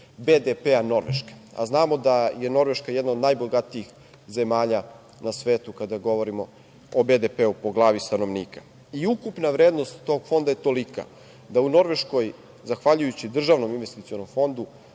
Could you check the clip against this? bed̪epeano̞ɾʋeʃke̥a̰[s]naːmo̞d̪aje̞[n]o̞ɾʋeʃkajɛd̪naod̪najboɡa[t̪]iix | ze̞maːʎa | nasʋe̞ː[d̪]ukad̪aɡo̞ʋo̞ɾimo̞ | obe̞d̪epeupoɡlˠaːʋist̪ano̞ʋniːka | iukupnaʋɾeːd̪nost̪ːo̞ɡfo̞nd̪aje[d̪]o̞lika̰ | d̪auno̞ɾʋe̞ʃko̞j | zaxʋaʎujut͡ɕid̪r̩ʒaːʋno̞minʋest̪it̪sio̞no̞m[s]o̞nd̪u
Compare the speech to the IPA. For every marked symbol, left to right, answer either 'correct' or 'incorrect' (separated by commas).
incorrect, correct, correct, incorrect, incorrect, incorrect